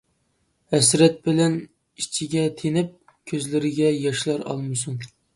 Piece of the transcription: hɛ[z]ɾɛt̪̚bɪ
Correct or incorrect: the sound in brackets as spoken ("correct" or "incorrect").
incorrect